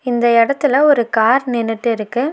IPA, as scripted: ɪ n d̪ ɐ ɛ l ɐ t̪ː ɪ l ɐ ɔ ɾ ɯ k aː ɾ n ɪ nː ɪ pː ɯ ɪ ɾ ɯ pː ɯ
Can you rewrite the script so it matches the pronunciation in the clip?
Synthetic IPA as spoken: ɪ n d̪ ɐ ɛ ɽ ɐ t̪ː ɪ l ɐ ɔ ɾ ɯ k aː ɾ n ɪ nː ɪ ʈː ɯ ɪ ɾ ɯ kː ɯ